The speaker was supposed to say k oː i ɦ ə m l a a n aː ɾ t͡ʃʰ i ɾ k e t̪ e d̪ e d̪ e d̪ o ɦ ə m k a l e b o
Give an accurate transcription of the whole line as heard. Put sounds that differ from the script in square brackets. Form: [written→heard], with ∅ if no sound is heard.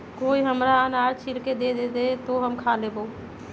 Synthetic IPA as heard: k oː i ɦ ə m [l→ɾ] a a n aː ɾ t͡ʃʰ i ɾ k e [t̪→d̪] e d̪ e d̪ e [d̪→t̪] o ɦ ə m [k→kʰ] a l e b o

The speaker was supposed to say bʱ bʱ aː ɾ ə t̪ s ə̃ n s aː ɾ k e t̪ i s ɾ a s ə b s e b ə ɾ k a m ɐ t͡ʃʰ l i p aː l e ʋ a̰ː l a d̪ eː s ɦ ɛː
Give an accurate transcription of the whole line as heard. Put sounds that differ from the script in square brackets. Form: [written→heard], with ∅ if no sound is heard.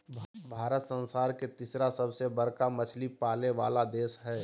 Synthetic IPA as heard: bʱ bʱ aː ɾ ə t̪ s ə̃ n s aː ɾ k e t̪ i s ɾ a s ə b s e b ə ɾ k a m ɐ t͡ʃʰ l i p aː l e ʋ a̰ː l a d̪ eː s ɦ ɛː

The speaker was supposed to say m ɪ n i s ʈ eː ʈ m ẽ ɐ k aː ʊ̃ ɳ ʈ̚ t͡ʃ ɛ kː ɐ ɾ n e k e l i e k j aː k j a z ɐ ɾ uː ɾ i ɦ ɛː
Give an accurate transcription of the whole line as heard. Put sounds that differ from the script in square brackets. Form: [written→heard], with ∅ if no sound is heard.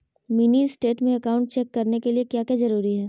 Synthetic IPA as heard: m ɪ n i s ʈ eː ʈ m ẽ ɐ k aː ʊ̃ ɳ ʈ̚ t͡ʃ ɛ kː ɐ ɾ n e k e l i e k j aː k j a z ɐ ɾ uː ɾ i ɦ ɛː

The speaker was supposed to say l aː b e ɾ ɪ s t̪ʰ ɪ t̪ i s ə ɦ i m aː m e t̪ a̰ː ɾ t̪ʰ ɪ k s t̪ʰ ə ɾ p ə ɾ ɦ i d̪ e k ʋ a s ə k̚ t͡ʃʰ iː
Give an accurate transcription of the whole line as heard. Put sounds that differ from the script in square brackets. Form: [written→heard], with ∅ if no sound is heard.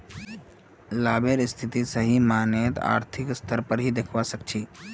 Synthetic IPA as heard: l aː b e ɾ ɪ s t̪ʰ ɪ t̪ i s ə ɦ i m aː [m→n] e t̪ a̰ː ɾ t̪ʰ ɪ k s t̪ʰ ə ɾ p ə ɾ ɦ i d̪ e [k→kʰ] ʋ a s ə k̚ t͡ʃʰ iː

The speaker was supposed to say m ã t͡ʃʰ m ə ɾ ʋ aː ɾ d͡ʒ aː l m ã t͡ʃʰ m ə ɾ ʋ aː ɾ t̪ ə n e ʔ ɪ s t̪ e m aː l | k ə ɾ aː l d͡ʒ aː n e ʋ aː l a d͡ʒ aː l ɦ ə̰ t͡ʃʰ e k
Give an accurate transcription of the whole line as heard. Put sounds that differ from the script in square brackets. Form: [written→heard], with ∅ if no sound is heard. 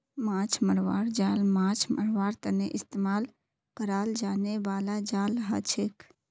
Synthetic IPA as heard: m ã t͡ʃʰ m ə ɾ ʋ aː ɾ d͡ʒ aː l m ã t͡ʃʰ m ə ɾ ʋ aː ɾ t̪ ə n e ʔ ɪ s t̪ e m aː l | k ə ɾ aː l d͡ʒ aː n e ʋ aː l a d͡ʒ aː l ɦ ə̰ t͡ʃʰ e k

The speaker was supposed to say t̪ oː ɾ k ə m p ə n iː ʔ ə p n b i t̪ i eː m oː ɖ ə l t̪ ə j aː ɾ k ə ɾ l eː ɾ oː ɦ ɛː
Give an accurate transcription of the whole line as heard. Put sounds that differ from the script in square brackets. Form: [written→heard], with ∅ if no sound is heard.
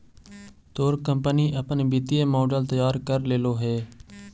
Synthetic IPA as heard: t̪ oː ɾ k ə m p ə n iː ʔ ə p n b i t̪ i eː m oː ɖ ə l t̪ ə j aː ɾ k ə ɾ l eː [ɾ→l] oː ɦ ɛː

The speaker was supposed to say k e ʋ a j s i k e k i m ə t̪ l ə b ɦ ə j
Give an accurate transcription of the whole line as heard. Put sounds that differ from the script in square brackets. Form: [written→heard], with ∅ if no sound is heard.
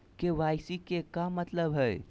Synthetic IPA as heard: k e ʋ a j s i k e k [i→a] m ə t̪ l ə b ɦ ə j

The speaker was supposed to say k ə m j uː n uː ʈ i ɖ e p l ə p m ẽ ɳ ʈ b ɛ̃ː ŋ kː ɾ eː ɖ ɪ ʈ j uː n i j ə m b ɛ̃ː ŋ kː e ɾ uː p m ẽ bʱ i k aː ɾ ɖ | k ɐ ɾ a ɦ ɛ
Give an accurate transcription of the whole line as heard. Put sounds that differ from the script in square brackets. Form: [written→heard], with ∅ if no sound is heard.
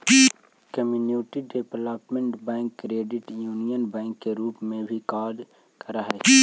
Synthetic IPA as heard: k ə m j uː n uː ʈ i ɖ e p l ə p m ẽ ɳ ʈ b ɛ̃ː ŋ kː ɾ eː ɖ ɪ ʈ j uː n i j ə [m→n] b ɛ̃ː ŋ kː e ɾ uː p m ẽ bʱ i k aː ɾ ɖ | k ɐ ɾ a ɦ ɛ

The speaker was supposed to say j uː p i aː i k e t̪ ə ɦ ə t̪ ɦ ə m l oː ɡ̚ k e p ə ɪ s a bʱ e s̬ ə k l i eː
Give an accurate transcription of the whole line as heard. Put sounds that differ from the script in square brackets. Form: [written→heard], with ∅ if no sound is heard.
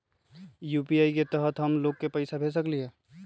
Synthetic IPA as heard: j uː p i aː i k e t̪ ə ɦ ə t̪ ɦ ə m l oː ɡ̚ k e p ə ɪ s a bʱ e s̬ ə k l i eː

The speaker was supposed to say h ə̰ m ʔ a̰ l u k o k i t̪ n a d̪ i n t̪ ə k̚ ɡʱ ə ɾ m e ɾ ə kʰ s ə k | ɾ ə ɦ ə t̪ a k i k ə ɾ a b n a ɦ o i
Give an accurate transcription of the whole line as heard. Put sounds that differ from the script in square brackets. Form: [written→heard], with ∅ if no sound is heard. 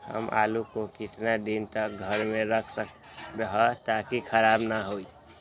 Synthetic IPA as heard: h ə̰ m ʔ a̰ l u k o k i t̪ n a d̪ i n t̪ ə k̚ ɡʱ ə ɾ m e ɾ ə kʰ s ə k | ɾ ə ɦ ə t̪ a k i [k→kʰ] ə ɾ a b n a ɦ o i

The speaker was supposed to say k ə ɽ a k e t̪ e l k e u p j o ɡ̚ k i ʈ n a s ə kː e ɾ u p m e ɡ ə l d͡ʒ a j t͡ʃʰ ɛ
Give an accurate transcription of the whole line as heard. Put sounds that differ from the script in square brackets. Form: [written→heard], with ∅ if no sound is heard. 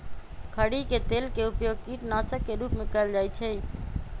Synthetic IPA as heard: [k→kʰ] ə ɽ [a→i] k e t̪ e l k e u p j o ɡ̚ k i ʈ n a s ə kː e ɾ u p m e [ɡ→k] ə l d͡ʒ a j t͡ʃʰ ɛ

